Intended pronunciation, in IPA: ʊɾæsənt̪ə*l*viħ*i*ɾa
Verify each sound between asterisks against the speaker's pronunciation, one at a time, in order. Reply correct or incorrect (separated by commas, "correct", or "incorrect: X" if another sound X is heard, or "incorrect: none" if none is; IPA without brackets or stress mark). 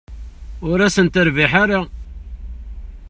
incorrect: ɾ, incorrect: a